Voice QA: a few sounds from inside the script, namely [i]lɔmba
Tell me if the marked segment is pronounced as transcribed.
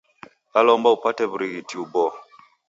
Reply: no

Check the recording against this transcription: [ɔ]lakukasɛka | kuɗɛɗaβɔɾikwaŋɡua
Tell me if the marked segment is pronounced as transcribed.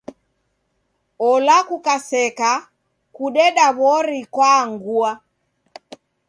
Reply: yes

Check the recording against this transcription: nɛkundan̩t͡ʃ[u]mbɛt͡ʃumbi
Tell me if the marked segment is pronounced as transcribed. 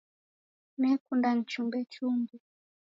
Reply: yes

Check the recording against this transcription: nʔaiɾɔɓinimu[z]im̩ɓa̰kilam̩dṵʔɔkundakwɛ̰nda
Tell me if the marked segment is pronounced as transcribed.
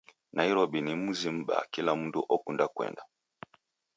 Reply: yes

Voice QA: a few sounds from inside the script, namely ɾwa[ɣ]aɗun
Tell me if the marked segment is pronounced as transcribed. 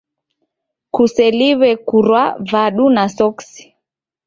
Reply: no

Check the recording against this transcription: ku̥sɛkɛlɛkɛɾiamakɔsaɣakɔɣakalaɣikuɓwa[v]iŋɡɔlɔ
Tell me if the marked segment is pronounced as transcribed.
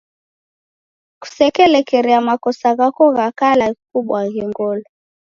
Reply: no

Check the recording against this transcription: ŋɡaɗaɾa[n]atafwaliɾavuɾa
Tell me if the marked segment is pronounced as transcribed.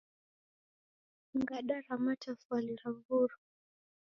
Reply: no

